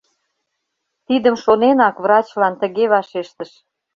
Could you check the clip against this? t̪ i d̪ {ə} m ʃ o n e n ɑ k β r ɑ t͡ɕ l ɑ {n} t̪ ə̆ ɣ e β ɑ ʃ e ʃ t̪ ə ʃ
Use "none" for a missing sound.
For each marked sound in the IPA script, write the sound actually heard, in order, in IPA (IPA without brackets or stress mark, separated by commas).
ə, n